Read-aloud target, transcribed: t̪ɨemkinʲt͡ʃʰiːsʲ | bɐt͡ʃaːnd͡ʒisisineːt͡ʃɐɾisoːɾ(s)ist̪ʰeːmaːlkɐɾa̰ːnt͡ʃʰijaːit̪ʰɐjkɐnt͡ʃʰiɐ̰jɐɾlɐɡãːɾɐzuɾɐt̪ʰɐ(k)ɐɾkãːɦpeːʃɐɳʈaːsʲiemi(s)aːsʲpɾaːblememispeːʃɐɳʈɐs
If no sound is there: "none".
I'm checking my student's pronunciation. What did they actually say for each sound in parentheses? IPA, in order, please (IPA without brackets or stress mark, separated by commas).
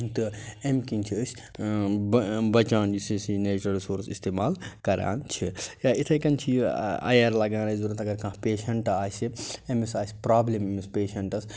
s, ɡ, s